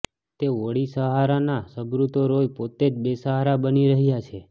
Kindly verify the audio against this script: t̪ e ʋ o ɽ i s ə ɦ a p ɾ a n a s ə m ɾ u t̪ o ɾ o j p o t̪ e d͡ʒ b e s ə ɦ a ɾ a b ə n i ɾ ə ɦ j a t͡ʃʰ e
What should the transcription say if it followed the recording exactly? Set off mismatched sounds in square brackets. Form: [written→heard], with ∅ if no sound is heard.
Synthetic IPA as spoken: t̪ e ʋ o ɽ i s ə ɦ a [p→∅] ɾ a n a s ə [m→b] ɾ u t̪ o ɾ o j p o t̪ e d͡ʒ b e s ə ɦ a ɾ a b ə n i ɾ ə ɦ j a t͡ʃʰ e